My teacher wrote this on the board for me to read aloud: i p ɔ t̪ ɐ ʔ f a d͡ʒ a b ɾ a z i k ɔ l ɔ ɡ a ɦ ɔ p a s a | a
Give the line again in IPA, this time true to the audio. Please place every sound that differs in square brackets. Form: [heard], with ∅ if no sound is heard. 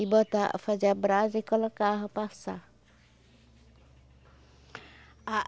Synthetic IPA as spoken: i [b] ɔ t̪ [a] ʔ f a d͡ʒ a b ɾ a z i k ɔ l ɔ [k] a ɦ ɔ p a s a | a